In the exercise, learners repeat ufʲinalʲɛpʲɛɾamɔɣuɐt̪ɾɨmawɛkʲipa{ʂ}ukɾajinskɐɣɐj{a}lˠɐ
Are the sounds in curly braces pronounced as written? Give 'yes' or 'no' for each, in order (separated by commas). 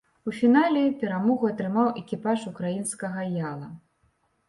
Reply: yes, yes